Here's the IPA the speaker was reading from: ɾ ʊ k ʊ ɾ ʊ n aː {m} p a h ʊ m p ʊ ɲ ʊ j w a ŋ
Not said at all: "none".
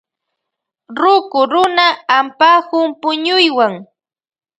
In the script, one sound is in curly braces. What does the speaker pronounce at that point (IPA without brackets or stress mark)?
m